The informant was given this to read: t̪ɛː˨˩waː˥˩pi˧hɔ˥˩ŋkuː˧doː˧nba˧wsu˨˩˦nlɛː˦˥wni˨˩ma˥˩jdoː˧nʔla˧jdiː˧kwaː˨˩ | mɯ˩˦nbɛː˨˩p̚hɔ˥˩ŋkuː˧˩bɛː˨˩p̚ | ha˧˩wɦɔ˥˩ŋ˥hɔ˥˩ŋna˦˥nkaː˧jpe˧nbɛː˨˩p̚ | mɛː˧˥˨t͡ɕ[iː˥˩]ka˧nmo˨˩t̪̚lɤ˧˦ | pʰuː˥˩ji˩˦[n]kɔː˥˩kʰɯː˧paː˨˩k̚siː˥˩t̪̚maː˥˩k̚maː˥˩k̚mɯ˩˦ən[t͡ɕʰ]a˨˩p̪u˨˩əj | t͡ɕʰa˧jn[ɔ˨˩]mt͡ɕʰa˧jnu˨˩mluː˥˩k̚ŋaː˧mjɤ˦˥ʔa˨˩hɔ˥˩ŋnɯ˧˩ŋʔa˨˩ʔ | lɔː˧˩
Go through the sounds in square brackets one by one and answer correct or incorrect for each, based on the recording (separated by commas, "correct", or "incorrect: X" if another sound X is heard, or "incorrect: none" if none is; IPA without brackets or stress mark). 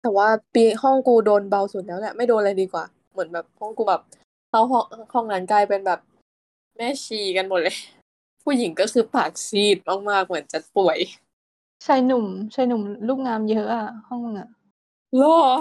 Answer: incorrect: iː˧˩, incorrect: ŋ, incorrect: t͡ɕ, incorrect: u˨˩